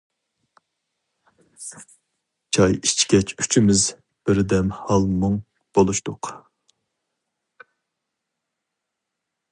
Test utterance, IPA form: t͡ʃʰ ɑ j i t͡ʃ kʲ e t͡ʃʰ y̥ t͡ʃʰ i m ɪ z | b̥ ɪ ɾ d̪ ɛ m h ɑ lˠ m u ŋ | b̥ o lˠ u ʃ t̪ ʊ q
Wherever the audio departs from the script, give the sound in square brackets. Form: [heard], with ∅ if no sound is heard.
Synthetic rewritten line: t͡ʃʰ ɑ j i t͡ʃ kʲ [ɛ] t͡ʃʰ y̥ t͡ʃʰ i m ɪ z | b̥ ɪ ɾ d̪ ɛ m h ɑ lˠ m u ŋ | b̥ o lˠ u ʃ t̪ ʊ q